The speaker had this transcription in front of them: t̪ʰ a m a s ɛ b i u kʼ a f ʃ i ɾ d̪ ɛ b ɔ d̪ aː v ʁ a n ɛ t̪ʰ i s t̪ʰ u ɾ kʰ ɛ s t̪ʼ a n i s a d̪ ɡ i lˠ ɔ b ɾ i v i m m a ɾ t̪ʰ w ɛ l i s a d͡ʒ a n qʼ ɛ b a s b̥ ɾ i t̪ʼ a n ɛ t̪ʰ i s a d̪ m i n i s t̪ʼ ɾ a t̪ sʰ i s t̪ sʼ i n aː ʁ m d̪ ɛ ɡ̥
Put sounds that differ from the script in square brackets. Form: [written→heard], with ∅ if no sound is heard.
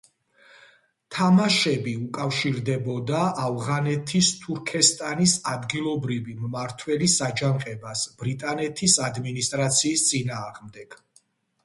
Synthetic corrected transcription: t̪ʰ a m a [s→ʃ] ɛ b i u kʼ a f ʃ i ɾ d̪ ɛ b ɔ d̪ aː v ʁ a n ɛ t̪ʰ i s t̪ʰ u ɾ kʰ ɛ s t̪ʼ a n i s a d̪ ɡ i lˠ ɔ b ɾ i v i m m a ɾ t̪ʰ w ɛ l i s a d͡ʒ a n qʼ ɛ b a s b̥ ɾ i t̪ʼ a n ɛ t̪ʰ i s a d̪ m i n i s t̪ʼ ɾ a t̪ sʰ [i→iː] s t̪ sʼ i n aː ʁ m d̪ ɛ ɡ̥